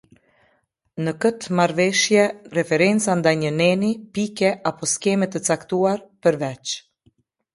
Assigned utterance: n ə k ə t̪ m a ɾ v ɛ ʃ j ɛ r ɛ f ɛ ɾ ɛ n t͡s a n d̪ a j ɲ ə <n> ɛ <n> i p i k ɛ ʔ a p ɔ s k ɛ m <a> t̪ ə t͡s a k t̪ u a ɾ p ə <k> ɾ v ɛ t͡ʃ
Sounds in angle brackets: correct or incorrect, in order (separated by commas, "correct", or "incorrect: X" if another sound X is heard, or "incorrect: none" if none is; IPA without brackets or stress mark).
correct, correct, incorrect: ɛ, incorrect: none